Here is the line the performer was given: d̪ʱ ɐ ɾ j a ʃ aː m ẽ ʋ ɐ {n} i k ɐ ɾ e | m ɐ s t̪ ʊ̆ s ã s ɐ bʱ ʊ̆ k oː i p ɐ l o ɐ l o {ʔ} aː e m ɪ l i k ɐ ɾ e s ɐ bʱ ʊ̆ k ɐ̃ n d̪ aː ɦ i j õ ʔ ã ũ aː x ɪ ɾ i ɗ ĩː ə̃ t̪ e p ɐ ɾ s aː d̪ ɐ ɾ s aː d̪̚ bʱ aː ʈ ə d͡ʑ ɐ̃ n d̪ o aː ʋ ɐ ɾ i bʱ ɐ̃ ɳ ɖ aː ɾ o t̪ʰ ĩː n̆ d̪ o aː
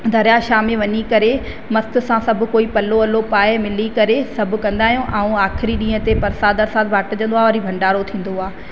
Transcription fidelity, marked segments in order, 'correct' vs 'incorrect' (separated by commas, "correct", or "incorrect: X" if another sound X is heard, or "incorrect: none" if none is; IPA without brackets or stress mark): incorrect: ɲ, incorrect: p